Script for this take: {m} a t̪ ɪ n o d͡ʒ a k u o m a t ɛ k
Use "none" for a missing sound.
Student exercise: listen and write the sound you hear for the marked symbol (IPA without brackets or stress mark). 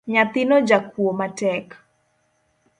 ɲ